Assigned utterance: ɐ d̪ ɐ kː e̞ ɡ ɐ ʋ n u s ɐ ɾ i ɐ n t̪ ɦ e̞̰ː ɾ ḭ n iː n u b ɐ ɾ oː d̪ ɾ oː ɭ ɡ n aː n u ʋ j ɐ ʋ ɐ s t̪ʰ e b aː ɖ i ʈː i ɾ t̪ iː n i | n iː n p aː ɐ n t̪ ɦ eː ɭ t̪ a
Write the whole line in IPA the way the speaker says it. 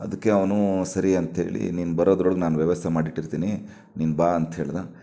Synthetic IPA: ɐ d̪ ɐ kː e̞ ɐ ʋ n u s ɐ ɾ i ɐ n t̪ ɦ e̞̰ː ɭ ḭ n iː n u b ɐ ɾ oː d̪ ɾ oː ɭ ɡ n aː n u ʋ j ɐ ʋ ɐ s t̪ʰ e m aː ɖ i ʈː i ɾ t̪ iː n i | n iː n b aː ɐ n t̪ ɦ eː ɭ d̪ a